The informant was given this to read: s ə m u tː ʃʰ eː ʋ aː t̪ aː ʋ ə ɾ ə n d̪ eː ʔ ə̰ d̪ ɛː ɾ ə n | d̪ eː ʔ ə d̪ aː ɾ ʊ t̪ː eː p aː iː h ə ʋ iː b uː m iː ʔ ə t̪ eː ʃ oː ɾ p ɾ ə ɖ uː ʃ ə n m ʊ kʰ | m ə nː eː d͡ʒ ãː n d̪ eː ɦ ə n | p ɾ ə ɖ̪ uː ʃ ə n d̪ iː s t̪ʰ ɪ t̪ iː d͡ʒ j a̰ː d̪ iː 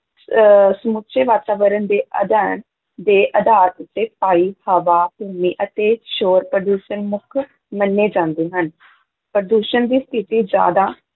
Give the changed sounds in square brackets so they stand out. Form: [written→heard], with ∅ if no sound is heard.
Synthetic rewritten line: s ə m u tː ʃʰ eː ʋ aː t̪ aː ʋ ə ɾ ə n d̪ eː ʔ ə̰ d̪ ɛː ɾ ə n | d̪ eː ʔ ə d̪ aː ɾ ʊ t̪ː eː p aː iː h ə ʋ [iː→aː] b uː m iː ʔ ə t̪ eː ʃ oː ɾ p ɾ ə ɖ uː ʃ ə n m ʊ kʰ | m ə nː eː d͡ʒ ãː n d̪ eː ɦ ə n | p ɾ ə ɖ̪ uː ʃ ə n d̪ iː s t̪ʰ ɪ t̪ iː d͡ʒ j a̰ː d̪ [iː→aː]